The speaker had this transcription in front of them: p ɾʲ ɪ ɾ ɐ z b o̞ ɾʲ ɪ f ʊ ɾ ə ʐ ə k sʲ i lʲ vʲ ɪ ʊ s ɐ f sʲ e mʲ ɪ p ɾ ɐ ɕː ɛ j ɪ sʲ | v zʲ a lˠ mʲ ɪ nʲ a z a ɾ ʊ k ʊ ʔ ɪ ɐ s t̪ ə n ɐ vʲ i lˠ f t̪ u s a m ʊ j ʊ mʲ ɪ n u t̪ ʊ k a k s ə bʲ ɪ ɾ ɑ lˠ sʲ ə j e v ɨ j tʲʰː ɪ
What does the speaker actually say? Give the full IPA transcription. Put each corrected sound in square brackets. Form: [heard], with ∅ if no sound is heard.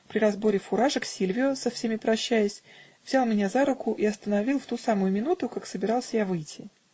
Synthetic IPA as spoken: p ɾʲ ɪ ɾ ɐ z b o̞ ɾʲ ɪ f ʊ ɾ [a] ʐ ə k sʲ i lʲ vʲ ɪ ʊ s ɐ f sʲ e mʲ ɪ p ɾ ɐ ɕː [æ] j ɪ sʲ | v zʲ a lˠ mʲ ɪ nʲ a z a ɾ ʊ k ʊ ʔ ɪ ɐ s t̪ ə n ɐ vʲ i lˠ f t̪ u s a m ʊ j ʊ mʲ ɪ n u t̪ ʊ k a k s ə bʲ ɪ ɾ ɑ lˠ sʲ ə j [a] v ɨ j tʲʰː ɪ

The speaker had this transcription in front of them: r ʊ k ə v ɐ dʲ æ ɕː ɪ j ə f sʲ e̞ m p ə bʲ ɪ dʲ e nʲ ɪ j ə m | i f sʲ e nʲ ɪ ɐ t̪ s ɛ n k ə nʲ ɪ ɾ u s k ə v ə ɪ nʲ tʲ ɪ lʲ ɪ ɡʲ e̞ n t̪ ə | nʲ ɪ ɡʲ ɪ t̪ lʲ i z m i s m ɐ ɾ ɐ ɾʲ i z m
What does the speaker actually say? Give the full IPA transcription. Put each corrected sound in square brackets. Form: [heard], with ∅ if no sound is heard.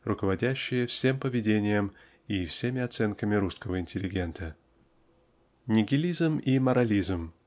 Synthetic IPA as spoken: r ʊ k ə v ɐ dʲ æ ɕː ɪ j ə f sʲ e̞ m p ə [vʲ] ɪ dʲ e nʲ ɪ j ə m | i f sʲ e [mʲ] ɪ ɐ t̪ s ɛ n k ə [mʲ] ɪ ɾ u s k ə v ə ɪ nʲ tʲ ɪ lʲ ɪ ɡʲ e̞ n t̪ ə | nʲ ɪ ɡʲ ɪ [∅] lʲ i z m i [∅] m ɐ ɾ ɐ [lʲ] i z m

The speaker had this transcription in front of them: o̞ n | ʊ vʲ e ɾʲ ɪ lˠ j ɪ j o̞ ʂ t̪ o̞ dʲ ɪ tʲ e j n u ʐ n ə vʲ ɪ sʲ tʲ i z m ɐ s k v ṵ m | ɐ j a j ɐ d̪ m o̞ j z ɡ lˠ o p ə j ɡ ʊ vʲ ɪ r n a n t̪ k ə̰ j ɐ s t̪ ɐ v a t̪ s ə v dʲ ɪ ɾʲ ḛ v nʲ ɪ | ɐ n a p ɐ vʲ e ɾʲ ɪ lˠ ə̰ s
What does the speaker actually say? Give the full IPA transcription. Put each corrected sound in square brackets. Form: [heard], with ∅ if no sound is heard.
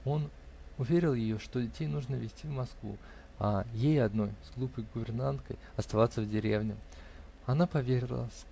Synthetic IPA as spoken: o̞ n | ʊ vʲ e ɾʲ ɪ lˠ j ɪ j o̞ ʂ t̪ o̞ dʲ ɪ tʲ e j n u ʐ n ə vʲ ɪ sʲ tʲ i [v] m ɐ s k v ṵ [∅] | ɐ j [e] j ɐ d̪ [n] o̞ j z ɡ lˠ [u] p ə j ɡ ʊ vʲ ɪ r n a n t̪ k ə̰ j ɐ s t̪ ɐ v a t̪ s ə v dʲ ɪ ɾʲ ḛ v nʲ ɪ | ɐ n a p ɐ vʲ e ɾʲ ɪ lˠ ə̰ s

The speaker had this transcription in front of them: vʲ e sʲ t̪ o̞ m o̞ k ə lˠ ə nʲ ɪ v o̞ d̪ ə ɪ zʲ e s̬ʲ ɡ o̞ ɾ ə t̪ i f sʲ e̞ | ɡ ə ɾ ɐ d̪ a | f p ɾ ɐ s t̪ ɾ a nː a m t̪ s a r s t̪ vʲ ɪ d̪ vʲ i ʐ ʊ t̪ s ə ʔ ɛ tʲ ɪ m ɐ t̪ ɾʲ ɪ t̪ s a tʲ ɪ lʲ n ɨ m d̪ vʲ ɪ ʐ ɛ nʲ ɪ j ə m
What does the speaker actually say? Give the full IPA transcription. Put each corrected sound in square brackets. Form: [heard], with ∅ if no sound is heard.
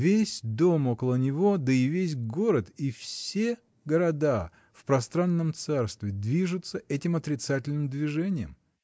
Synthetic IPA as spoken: vʲ e sʲ [d̪] o̞ m o̞ k ə lˠ ə nʲ ɪ v o̞ d̪ ə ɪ [vʲ] e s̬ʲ ɡ o̞ ɾ ə t̪ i f sʲ e̞ | ɡ ə ɾ ɐ d̪ a | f p ɾ ɐ s t̪ ɾ a nː [ə] m t̪ s a r s t̪ vʲ ɪ d̪ vʲ i ʐ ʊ t̪ s ə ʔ ɛ tʲ ɪ m ɐ t̪ ɾʲ ɪ t̪ s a tʲ ɪ lʲ n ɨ m d̪ vʲ ɪ ʐ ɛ nʲ ɪ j ə m

